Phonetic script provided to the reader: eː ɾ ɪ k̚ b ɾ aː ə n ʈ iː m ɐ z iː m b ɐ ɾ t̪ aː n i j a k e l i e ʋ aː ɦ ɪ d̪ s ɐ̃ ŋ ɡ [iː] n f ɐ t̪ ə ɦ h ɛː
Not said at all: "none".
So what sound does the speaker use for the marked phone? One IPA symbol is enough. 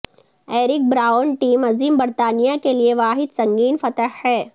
iː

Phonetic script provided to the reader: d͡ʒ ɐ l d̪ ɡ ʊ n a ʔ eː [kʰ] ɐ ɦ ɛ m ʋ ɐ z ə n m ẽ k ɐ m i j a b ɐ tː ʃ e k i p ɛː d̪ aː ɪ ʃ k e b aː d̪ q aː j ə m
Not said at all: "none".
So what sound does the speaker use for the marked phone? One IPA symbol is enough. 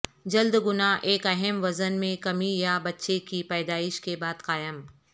k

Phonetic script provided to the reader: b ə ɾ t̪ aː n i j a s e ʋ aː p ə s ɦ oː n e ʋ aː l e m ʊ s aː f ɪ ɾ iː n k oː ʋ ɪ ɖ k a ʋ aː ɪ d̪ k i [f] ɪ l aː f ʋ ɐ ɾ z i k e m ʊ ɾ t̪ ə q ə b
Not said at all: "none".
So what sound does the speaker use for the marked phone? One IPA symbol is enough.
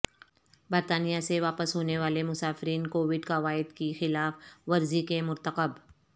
x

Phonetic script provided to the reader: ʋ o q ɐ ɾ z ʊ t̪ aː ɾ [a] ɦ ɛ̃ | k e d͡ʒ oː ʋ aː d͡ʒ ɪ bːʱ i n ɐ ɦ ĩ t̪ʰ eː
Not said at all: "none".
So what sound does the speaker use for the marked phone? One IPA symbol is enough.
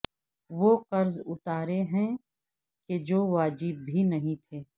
e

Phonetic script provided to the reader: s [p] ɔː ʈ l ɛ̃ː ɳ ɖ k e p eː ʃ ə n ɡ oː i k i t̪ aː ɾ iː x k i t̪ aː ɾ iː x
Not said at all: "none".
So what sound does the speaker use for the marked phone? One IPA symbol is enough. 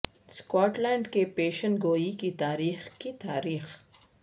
k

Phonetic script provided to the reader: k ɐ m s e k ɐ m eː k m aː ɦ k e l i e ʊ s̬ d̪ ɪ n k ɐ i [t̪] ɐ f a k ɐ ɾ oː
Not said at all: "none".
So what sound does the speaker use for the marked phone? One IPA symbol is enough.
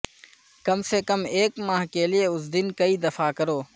d̪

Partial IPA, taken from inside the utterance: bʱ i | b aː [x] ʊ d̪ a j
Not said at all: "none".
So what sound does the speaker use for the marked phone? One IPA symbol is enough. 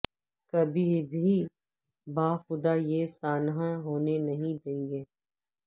x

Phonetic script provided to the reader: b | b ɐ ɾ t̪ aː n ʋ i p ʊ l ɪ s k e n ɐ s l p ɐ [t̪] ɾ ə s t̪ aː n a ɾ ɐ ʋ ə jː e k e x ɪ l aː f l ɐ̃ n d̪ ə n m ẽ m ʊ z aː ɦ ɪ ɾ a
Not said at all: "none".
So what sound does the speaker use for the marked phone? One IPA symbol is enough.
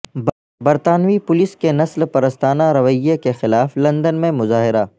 none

